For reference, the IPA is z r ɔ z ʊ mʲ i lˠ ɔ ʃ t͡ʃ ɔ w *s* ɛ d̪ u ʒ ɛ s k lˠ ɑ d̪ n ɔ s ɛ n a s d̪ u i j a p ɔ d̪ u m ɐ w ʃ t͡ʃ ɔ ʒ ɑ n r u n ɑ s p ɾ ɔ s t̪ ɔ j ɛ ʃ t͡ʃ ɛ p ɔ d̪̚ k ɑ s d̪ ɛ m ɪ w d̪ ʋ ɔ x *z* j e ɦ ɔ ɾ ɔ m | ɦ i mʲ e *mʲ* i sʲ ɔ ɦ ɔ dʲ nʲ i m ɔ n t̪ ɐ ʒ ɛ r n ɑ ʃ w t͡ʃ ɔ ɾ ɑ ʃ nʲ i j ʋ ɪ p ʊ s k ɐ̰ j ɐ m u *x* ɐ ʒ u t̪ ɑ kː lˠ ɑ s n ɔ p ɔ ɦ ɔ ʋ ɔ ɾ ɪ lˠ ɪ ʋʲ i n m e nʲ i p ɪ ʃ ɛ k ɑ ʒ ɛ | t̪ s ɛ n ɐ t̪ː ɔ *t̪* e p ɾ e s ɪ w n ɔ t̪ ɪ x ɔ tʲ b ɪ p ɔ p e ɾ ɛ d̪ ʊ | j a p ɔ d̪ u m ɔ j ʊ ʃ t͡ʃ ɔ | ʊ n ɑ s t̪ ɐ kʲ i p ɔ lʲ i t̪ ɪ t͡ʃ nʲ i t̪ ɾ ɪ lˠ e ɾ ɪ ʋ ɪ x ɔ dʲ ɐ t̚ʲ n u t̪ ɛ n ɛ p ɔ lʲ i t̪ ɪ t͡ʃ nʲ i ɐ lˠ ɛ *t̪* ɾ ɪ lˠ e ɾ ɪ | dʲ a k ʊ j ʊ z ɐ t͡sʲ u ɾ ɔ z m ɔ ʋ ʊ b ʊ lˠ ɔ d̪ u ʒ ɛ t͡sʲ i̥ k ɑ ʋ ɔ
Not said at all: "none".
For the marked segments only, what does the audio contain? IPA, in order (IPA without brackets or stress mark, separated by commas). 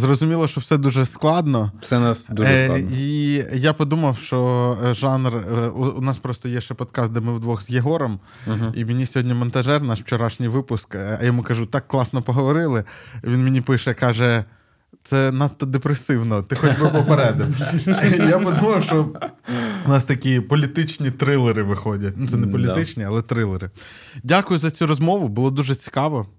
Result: s, z, nʲ, k, d̪, t̪